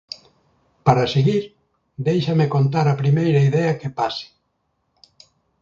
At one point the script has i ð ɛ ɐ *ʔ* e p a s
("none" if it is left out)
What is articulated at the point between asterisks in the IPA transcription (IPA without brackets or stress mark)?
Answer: k